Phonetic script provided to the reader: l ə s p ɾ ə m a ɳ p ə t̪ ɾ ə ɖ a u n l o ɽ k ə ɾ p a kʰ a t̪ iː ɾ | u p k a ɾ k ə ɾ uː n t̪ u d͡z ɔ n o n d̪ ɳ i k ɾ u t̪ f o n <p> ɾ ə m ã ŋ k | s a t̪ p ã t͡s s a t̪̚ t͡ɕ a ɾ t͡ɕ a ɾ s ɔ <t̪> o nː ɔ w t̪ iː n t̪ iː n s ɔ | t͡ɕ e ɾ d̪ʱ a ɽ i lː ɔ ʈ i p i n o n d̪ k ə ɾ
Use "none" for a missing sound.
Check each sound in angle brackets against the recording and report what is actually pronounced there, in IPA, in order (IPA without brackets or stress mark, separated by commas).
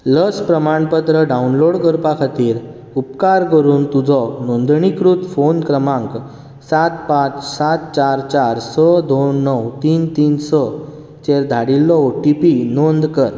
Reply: k, d̪